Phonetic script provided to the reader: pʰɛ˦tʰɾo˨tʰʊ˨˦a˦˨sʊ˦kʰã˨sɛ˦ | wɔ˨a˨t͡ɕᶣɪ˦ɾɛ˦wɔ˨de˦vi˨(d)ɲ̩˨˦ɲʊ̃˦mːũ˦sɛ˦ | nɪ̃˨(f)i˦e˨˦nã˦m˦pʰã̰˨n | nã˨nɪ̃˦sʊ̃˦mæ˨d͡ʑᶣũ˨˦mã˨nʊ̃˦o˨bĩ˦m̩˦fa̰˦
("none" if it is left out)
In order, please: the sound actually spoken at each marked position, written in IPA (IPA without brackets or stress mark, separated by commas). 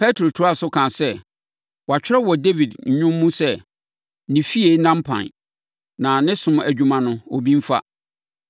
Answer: d, f